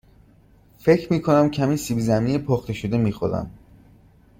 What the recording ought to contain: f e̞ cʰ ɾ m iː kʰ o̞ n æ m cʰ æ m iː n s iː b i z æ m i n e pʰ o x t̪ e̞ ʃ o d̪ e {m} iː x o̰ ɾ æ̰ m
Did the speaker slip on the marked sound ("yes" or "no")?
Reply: no